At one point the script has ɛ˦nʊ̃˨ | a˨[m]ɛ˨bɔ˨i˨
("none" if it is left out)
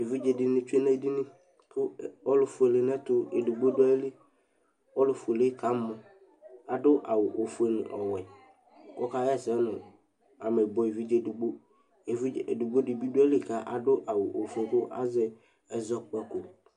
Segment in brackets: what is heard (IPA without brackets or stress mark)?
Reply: m